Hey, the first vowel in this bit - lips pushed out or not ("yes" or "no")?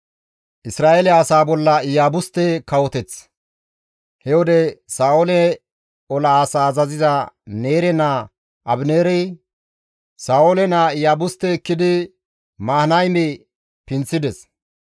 no